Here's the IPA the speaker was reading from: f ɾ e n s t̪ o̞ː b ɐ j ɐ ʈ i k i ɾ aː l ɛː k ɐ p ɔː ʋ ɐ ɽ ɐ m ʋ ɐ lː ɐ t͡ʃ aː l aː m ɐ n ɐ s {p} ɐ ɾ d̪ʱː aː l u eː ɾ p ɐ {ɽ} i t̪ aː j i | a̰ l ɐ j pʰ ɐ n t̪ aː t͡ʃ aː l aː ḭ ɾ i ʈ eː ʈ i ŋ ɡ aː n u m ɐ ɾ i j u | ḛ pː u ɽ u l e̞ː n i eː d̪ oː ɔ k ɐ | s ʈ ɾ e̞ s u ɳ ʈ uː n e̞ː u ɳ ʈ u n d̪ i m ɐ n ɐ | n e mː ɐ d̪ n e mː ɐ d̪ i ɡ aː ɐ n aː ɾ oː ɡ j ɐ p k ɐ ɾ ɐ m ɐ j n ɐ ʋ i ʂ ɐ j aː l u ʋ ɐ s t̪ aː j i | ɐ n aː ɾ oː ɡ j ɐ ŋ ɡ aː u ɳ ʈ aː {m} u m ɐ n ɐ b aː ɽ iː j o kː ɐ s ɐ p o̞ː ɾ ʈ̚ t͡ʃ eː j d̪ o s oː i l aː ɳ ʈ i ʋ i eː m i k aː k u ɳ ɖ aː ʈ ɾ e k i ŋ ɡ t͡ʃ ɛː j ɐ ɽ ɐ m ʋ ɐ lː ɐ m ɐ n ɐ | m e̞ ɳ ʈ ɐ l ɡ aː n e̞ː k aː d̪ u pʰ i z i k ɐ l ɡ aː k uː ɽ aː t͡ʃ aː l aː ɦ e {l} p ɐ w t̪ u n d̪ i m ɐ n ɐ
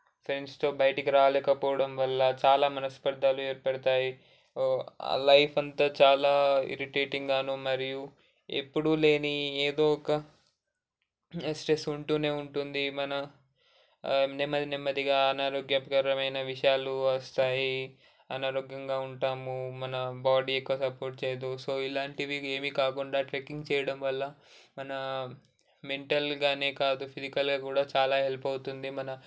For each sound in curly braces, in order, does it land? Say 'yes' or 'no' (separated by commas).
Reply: yes, yes, yes, yes